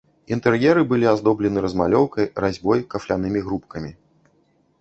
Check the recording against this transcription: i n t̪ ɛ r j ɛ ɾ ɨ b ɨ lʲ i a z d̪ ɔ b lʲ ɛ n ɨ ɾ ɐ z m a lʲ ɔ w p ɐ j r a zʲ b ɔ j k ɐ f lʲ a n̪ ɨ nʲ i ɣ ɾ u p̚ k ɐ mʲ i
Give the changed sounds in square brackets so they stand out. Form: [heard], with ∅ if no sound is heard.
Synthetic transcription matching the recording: i n t̪ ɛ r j ɛ ɾ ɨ b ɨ lʲ i a z d̪ ɔ b lʲ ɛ n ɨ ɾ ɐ z m a lʲ ɔ w [k] ɐ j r a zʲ b ɔ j k ɐ f lʲ a n̪ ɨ [mʲ] i ɣ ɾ u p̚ k ɐ mʲ i